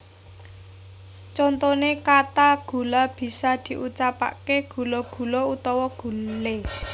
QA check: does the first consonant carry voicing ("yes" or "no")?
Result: no